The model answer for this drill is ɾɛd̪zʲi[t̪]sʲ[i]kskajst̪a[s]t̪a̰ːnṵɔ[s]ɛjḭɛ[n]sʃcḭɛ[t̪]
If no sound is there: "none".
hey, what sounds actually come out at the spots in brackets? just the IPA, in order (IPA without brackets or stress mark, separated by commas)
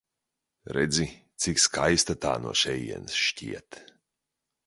t̪, i, none, ʃ, n, t̪